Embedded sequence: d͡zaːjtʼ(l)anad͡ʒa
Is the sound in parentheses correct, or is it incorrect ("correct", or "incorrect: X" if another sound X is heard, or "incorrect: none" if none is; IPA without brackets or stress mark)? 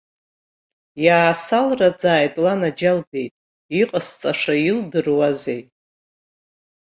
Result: correct